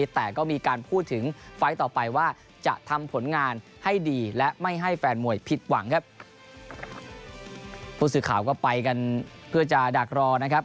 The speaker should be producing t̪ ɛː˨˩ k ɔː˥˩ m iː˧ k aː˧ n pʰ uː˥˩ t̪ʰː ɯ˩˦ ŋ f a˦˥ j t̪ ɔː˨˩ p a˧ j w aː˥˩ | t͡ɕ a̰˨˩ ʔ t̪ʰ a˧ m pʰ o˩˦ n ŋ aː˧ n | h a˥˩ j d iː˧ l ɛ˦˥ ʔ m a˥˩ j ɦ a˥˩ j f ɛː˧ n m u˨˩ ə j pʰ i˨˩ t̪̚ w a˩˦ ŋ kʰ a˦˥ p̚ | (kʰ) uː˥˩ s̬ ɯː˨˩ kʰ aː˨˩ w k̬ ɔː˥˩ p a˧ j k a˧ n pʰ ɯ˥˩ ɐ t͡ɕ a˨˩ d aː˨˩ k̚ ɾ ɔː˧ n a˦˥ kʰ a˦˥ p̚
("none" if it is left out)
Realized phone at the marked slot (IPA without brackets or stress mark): pʰ